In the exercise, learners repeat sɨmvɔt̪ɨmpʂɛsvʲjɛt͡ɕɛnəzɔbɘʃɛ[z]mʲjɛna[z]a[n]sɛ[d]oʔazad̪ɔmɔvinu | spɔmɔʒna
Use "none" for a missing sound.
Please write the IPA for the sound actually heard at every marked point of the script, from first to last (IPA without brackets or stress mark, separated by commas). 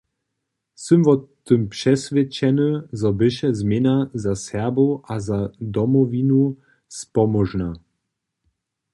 z, z, none, b